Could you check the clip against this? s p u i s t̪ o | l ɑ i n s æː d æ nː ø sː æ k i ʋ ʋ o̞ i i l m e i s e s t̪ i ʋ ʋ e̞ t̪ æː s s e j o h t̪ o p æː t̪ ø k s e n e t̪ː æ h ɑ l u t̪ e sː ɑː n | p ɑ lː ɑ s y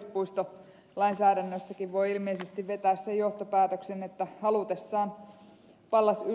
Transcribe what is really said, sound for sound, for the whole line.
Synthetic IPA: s p u i s t̪ o | l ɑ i n s æː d æ nː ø sː æ k i ʋ ʋ o̞ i i l m e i s e s t̪ i ʋ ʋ e̞ t̪ æː s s e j o h t̪ o p æː t̪ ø k s e n e t̪ː æ h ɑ l u t̪ e sː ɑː n | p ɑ lː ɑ s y

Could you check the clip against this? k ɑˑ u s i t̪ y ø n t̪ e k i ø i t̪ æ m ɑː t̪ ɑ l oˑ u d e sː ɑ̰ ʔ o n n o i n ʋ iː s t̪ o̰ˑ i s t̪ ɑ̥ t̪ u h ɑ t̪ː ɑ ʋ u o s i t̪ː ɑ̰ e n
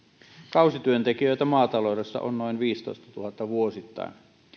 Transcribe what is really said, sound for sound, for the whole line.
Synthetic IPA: k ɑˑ u s i t̪ y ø n t̪ e k i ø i t̪ æ m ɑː t̪ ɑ l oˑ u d e sː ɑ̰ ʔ o n n o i n ʋ iː s t̪ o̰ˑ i s t̪ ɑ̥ t̪ u h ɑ t̪ː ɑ ʋ u o s i t̪ː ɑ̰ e n

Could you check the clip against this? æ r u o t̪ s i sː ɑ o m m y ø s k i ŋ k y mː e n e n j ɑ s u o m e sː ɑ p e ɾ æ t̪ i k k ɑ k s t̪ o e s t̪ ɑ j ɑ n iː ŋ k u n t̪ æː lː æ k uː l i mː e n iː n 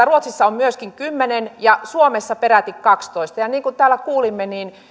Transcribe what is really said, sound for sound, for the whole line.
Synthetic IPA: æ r u o t̪ s i sː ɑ o m m y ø s k i ŋ k y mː e n e n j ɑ s u o m e sː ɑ p e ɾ æ t̪ i k k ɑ k s t̪ o i s t̪ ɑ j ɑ n iː ŋ k u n t̪ æː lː æ k uː l i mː e n iː n

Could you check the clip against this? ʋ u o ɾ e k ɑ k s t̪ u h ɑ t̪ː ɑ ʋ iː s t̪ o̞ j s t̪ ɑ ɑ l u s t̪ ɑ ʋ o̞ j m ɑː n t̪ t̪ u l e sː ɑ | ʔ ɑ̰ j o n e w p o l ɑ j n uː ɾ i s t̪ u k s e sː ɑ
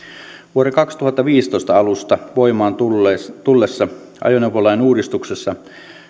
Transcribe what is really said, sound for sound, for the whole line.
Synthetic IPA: ʋ u o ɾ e k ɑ k s t̪ u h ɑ t̪ː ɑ ʋ iː s t̪ o̞ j s t̪ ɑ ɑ l u s t̪ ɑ ʋ o̞ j m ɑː n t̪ t̪ u lː e sː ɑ | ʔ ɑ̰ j o n e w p o l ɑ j n uː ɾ i s t̪ u k s e sː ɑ

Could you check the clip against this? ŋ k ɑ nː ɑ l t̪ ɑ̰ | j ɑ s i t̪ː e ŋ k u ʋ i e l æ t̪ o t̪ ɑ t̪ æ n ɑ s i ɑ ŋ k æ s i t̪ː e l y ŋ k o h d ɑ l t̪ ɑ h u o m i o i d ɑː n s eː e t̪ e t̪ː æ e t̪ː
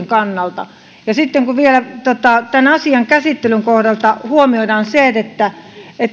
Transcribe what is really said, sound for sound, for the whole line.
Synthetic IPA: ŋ k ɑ nː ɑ l t̪ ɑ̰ | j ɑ s i t̪ː e ŋ k u ʋ i e l æ t̪ o t̪ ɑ t̪ æ n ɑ s i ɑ ŋ k æ s i t̪ː e l y ŋ k o h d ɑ l t̪ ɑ h u o m i o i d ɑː n s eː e t̪ e t̪ː æ e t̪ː

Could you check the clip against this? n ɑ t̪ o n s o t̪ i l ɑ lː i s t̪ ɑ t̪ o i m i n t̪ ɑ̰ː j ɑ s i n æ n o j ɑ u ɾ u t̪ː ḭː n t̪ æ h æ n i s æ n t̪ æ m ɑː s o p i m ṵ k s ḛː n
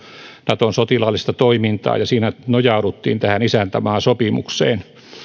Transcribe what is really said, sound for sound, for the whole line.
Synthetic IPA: n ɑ t̪ o n s o t̪ i l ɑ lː i s t̪ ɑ t̪ o i m i n t̪ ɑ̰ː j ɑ s iː n æ n o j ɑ u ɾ u t̪ː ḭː n t̪ æ h æ n i s æ n t̪ æ m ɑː s o p i m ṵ k s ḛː n

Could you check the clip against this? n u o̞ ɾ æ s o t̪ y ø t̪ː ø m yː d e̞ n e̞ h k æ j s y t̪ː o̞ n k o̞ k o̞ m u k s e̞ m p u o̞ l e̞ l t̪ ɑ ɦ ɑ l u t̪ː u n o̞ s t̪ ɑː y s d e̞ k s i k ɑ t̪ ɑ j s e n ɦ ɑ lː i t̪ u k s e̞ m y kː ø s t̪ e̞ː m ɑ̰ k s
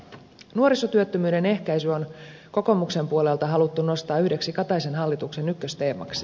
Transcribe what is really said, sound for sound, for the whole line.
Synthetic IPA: n u o̞ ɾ i s o t̪ y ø t̪ː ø m yː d e̞ n e̞ h k æ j s y o̞ n k o̞ k o̞ m u k s e̞ m p u o̞ l e̞ l t̪ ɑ ɦ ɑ l u t̪ː u n o̞ s t̪ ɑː y h d e̞ k s i k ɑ t̪ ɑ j s e n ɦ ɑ lː i t̪ u k s e̞ n y kː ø s t̪ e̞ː m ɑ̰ k s

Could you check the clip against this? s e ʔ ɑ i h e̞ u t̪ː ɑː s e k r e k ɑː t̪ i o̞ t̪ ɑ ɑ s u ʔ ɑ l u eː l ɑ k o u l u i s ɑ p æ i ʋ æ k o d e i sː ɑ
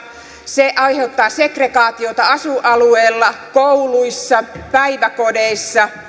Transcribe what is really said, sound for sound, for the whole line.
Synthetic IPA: s e ʔ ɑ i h e̞ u t̪ː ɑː s e k r e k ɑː t̪ i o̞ t̪ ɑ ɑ s u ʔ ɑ l u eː lː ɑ k o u l u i sː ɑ p æ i ʋ æ k o d e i sː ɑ

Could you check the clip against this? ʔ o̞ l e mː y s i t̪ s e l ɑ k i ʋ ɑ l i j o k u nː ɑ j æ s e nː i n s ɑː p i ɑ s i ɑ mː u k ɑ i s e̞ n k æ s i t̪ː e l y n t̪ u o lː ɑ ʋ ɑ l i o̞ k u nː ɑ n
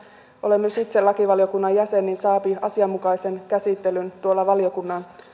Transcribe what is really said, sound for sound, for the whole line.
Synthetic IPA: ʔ o̞ l e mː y s i t̪ s e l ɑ k i ʋ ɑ l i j o k u nː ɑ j æ s e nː i n s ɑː p i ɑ s i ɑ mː u k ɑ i s e̞ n k æ s i t̪ː e l y n t̪ u o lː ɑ ʋ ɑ l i o̞ k u nː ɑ n

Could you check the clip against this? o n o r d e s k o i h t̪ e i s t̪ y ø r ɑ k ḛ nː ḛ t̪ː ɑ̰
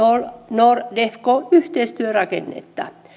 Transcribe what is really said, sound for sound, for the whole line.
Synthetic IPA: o n o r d e f k o y h t̪ e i s t̪ y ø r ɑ k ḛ nː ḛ t̪ː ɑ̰

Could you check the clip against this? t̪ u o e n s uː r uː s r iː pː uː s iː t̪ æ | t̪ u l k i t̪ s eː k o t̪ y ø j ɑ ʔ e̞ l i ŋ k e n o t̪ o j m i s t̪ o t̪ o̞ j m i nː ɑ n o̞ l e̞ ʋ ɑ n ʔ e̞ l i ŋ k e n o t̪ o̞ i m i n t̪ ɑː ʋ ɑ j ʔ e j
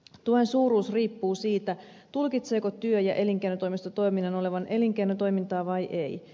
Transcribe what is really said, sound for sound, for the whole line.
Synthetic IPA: t̪ u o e n s uː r uː s r iː pː uː s iː t̪ æ | t̪ u l k i t̪ s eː k o t̪ y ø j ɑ ʔ e̞ l i ŋ k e n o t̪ o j m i s t̪ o t̪ o̞ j m i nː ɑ n o̞ l e̞ ʋ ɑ n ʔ e̞ l i ŋ k e n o t̪ o̞ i m i n t̪ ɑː ʋ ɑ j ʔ e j

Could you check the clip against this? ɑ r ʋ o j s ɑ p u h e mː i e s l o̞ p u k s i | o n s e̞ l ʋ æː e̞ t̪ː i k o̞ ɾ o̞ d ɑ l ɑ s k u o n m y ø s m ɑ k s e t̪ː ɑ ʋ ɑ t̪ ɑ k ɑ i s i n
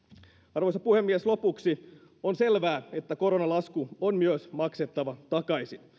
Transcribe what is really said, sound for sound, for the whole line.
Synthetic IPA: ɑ r ʋ o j s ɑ p u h e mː i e s l o̞ p u k s i | o n s e̞ l ʋ æː e̞ t̪ː æ k o̞ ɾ o̞ n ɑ l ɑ s k u o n m y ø s m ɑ k s e t̪ː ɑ ʋ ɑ t̪ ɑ k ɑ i s i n

